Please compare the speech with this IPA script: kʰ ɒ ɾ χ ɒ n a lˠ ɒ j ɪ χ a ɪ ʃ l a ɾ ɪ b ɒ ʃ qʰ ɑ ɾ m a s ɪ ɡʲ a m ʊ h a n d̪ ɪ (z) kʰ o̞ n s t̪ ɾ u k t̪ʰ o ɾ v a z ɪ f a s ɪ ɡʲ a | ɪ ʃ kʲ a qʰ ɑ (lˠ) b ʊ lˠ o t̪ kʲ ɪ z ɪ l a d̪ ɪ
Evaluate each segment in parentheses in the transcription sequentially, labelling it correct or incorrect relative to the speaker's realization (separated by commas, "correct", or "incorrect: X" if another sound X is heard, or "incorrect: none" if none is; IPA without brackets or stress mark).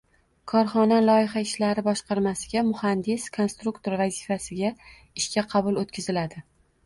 incorrect: s, incorrect: none